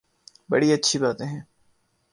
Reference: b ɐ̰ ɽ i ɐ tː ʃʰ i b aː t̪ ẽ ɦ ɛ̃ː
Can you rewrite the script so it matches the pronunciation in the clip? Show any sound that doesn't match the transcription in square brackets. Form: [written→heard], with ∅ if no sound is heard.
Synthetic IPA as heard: b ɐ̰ ɽ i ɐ tː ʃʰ i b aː t̪ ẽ ɦ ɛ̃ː